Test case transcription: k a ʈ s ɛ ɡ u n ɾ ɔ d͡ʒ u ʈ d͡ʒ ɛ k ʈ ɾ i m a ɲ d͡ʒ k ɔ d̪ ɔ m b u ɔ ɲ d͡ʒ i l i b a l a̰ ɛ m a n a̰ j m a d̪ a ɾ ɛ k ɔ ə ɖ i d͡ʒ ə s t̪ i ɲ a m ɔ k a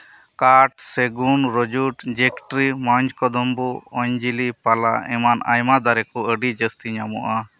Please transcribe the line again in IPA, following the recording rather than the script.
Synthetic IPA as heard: k a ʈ s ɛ ɡ u n ɾ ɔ d͡ʒ u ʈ d͡ʒ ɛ k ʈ ɾ i m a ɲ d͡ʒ k ɔ d̪ ɔ m b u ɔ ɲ d͡ʒ i l i p a l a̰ ɛ m a n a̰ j m a d̪ a ɾ ɛ k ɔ ə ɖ i d͡ʒ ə s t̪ i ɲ a m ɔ ʔ a